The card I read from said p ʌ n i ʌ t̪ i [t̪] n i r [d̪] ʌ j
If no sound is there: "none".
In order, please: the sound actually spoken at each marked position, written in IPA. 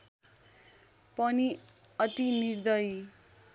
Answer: none, d̪

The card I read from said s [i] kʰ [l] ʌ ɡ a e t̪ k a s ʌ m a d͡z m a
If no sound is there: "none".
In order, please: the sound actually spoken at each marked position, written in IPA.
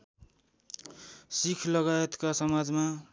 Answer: i, l

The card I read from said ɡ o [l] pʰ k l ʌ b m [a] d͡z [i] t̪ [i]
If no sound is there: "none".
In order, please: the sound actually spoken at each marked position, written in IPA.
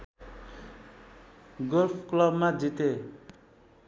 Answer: l, a, i, e

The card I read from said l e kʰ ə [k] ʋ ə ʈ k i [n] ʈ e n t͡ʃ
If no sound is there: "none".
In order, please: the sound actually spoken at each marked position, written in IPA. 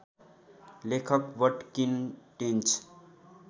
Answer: k, n

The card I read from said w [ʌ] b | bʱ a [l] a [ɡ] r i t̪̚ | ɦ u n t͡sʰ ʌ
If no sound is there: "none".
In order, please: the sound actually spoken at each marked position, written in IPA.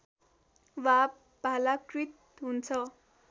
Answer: a, l, k

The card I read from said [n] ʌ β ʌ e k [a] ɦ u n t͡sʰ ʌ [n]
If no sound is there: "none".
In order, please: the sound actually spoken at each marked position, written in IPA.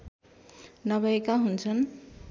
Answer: n, a, n

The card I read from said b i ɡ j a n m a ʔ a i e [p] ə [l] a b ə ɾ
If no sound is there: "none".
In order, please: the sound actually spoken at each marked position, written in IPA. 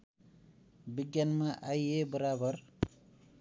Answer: b, ɾ

